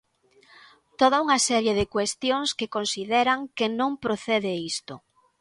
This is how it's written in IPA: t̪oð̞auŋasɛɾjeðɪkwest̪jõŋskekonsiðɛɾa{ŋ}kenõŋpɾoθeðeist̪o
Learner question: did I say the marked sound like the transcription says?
yes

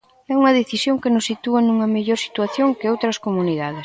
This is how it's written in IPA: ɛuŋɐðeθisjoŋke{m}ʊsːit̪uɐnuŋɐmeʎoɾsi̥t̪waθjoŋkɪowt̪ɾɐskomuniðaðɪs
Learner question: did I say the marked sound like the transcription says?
no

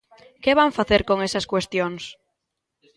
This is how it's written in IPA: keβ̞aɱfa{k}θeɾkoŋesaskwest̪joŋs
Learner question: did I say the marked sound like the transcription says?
no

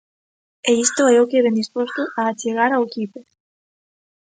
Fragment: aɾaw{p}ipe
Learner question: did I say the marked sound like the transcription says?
no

